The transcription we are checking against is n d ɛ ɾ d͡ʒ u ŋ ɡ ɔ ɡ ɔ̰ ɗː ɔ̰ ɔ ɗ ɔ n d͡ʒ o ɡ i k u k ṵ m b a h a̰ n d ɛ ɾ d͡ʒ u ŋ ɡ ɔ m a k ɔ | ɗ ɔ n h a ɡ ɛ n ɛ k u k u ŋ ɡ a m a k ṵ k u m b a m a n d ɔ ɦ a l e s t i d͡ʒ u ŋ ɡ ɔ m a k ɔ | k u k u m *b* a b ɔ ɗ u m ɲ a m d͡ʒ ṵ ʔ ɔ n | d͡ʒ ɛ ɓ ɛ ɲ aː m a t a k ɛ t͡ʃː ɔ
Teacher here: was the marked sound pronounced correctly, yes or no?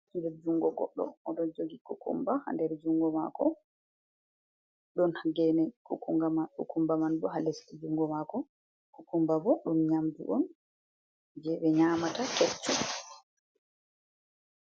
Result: yes